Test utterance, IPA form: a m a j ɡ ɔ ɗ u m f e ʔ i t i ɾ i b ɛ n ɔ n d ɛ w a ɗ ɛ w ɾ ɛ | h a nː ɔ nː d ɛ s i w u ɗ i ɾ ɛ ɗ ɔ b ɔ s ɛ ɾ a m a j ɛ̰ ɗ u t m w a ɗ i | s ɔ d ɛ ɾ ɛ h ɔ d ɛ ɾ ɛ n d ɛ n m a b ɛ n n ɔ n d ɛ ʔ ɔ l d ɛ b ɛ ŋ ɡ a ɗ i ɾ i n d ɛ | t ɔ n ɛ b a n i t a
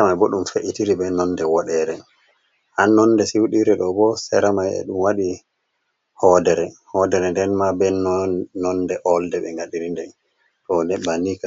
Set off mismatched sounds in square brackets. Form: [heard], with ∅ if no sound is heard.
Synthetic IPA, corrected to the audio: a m a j [b] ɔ ɗ u m f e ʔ i t i ɾ i b ɛ n ɔ n d ɛ w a ɗ ɛ [∅] ɾ ɛ | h a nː ɔ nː d ɛ s i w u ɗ i ɾ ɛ ɗ ɔ b ɔ s ɛ ɾ a m a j ɛ̰ ɗ u [∅] m w a ɗ i | [h] ɔ d ɛ ɾ ɛ h ɔ d ɛ ɾ ɛ n d ɛ n m a b ɛ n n ɔ n d ɛ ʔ ɔ l d ɛ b ɛ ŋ ɡ a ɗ i ɾ i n d ɛ | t ɔ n ɛ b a n i [k] a